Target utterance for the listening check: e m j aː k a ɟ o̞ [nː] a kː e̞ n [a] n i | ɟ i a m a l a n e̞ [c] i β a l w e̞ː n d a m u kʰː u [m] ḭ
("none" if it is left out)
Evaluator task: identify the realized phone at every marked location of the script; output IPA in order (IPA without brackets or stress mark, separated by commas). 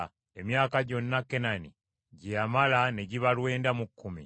nː, a, ɟ, m